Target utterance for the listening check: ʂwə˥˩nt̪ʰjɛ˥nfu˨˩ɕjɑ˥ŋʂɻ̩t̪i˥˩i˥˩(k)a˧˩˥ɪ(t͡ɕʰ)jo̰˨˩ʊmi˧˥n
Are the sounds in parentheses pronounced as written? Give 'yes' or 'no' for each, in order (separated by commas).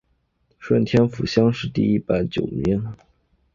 no, no